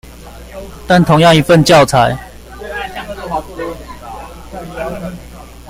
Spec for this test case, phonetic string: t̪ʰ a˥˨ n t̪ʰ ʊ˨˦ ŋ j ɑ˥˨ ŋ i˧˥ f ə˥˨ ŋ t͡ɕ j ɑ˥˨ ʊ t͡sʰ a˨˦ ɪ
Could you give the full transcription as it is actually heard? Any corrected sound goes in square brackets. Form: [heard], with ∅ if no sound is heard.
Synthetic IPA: [t̪] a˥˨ n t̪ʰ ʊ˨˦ ŋ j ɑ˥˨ ŋ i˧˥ f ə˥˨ [n] t͡ɕ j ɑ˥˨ ʊ t͡sʰ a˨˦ ɪ